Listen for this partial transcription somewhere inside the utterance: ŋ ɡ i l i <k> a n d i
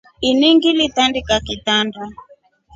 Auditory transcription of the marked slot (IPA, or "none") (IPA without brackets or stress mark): t